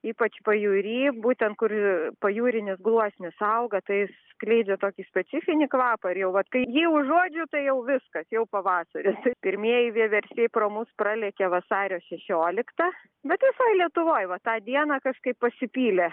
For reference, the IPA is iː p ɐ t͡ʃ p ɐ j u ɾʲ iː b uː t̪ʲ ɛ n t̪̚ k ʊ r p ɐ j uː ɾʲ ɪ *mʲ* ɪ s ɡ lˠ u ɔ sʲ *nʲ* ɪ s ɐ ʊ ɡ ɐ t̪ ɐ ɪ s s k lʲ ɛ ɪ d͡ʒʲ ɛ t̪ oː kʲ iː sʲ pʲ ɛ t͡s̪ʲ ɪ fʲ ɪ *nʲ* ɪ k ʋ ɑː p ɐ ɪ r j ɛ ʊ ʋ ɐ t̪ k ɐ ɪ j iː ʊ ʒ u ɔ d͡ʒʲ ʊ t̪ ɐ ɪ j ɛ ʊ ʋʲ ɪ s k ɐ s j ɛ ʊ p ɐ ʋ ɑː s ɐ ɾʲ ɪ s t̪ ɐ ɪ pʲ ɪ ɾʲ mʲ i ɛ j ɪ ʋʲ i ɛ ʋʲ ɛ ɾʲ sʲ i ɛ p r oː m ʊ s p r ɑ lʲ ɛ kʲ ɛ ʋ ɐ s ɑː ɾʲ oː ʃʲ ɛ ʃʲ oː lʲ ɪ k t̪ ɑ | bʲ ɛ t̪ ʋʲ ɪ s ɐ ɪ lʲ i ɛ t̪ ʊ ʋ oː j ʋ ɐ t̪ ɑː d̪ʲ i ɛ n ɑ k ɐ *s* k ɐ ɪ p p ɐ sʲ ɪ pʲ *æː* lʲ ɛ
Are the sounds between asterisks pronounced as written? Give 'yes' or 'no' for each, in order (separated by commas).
no, yes, yes, no, no